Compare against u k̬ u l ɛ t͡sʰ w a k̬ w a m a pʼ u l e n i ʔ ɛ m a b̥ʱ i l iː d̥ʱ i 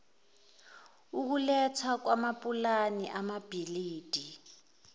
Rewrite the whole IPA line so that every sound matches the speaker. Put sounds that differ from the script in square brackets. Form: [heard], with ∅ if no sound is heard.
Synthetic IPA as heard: u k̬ u l ɛ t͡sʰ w a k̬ w a m a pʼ u l [a] n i ʔ [a] m a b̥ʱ i l iː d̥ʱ i

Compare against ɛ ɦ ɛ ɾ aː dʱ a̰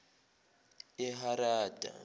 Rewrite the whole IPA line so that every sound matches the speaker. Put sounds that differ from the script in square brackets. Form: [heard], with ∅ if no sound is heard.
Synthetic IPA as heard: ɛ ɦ [a] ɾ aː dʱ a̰

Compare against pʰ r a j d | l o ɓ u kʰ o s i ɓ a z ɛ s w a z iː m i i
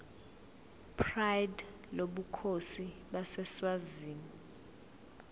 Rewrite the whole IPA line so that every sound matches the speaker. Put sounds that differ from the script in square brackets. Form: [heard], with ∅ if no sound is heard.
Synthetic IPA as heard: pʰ r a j d | l o ɓ u kʰ o s i ɓ a [s] ɛ s w a z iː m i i

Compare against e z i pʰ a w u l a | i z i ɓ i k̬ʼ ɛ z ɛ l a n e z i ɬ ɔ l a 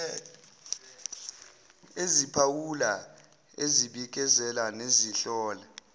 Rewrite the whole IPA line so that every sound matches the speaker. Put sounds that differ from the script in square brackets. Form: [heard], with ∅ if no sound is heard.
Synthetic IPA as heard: e z i pʰ a w u l a | [e] z i ɓ i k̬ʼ ɛ z ɛ l a n e z i ɬ [ɔː] l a

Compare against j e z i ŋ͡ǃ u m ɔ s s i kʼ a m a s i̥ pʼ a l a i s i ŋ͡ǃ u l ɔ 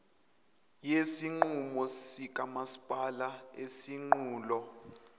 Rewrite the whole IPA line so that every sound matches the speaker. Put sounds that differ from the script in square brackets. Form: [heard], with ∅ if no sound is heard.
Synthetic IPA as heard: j e [s] i ŋ͡ǃ u m ɔ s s i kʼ a m a s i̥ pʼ a l a [e] s i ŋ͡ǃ [uː] l ɔ

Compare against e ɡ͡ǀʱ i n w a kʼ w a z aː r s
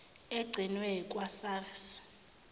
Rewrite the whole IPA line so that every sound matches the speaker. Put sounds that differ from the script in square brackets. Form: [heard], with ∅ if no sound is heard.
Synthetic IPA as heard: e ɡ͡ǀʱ i n w [ɛ] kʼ w a [s] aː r s

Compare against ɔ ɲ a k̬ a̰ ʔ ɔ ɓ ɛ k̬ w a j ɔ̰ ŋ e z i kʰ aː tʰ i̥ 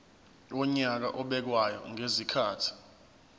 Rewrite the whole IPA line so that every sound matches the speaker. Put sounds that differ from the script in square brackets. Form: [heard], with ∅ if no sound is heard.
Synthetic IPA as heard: ɔ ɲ a k̬ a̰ ʔ ɔ ɓ ɛ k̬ w a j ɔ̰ ŋ e z i kʰ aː tʰ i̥

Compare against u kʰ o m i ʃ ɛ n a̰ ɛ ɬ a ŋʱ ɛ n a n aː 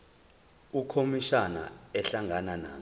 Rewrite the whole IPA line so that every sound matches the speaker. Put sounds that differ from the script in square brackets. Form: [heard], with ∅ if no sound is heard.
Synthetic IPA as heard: u kʰ o m i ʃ [a] n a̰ ɛ ɬ a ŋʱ [a] n a n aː

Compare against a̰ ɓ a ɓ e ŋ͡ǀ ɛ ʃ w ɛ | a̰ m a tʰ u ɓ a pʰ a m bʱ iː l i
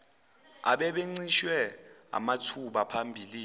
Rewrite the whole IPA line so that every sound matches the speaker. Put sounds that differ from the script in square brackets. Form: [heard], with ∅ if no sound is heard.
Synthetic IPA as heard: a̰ ɓ [ɛ] ɓ e ŋ͡ǀ [i] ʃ w ɛ | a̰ m a tʰ u ɓ a pʰ a m bʱ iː l i

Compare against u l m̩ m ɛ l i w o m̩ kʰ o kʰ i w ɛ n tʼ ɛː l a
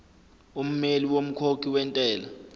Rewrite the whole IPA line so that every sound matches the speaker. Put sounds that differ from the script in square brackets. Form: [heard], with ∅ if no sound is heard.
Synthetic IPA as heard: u [∅] m̩ m [e] l i w o m̩ kʰ o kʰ i w ɛ n tʼ ɛː l a

